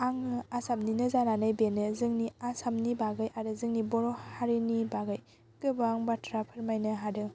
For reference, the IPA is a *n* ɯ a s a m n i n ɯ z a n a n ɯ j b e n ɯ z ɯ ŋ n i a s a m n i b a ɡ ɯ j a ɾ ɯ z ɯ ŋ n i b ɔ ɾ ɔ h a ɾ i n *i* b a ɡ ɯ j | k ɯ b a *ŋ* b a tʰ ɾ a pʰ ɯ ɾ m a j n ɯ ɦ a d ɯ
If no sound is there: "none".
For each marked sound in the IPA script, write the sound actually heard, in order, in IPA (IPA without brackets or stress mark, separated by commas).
ŋ, i, ŋ